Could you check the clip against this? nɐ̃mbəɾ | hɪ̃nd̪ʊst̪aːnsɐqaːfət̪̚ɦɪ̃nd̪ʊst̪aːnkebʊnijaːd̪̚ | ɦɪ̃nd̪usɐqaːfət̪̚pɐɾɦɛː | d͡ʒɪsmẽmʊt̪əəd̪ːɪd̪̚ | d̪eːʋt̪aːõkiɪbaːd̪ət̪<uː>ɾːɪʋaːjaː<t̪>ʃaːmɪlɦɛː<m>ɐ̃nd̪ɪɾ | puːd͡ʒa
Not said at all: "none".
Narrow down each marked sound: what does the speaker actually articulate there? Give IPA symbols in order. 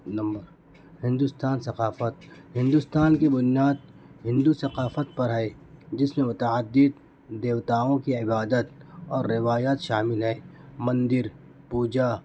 ɔː, t̪, m

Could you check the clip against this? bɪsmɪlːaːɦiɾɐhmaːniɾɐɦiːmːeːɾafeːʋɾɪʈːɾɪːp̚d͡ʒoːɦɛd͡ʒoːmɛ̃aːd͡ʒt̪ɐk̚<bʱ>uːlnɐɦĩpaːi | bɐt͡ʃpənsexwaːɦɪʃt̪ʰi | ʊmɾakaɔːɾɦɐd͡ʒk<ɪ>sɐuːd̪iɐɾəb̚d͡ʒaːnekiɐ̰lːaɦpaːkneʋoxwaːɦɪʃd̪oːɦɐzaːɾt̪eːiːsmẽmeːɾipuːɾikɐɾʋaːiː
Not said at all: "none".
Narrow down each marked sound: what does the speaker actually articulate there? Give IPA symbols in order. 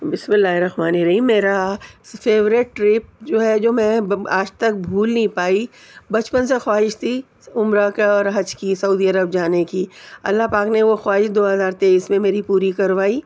bʱ, i

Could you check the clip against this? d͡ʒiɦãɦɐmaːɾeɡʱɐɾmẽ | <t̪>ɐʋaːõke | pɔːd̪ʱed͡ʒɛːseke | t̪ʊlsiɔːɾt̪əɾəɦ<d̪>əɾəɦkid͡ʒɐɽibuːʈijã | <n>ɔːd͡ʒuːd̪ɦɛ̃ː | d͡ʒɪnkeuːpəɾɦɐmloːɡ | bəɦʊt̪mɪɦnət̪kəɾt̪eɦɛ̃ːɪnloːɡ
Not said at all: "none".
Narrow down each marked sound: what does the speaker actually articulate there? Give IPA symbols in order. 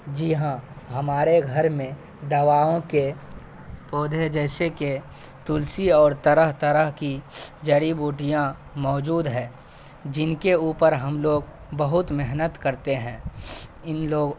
d̪, t̪, m

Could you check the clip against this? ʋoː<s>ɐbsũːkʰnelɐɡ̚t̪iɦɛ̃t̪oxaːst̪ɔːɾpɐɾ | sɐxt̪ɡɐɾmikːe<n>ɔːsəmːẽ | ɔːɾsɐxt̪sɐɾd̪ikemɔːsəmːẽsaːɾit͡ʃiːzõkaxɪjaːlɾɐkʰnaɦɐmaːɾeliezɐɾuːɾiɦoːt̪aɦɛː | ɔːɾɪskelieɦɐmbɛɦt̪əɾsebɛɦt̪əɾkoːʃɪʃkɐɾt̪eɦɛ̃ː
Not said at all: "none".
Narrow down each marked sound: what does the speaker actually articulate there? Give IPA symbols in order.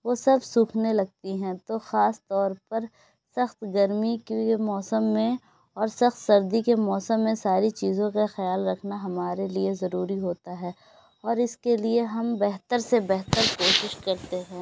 s, m

